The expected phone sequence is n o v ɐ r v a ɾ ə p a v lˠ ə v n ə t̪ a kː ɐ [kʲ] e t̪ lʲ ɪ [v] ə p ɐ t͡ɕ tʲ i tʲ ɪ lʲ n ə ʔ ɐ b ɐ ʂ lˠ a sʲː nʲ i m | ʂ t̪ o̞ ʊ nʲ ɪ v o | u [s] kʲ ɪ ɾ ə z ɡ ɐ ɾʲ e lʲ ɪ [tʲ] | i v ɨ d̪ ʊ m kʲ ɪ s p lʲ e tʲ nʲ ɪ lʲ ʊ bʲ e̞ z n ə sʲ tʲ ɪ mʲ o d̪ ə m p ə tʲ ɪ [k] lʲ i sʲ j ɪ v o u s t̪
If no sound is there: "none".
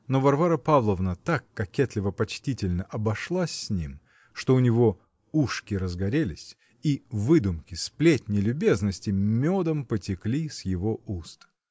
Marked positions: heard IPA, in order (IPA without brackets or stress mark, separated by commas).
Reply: kʲ, v, ʂ, sʲ, k